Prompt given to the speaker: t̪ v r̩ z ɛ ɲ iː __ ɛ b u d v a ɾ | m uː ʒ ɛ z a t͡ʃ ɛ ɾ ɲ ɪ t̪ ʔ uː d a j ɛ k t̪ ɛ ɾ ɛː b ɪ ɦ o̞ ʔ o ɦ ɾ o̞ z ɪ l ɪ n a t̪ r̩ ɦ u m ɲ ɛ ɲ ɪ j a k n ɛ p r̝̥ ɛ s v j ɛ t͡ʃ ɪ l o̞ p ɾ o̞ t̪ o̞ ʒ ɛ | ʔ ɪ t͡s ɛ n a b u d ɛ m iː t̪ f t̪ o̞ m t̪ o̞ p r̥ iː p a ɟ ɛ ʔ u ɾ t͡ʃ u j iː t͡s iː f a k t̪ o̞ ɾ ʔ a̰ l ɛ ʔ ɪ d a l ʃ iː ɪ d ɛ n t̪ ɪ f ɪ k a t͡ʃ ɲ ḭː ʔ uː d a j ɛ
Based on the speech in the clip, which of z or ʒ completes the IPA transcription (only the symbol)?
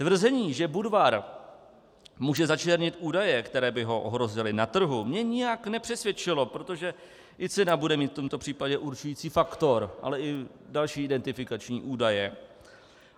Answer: ʒ